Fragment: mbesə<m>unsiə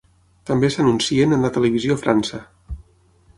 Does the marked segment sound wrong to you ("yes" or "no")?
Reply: yes